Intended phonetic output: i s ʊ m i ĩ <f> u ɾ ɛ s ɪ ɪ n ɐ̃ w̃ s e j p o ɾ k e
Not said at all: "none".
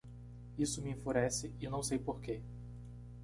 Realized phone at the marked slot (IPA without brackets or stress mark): f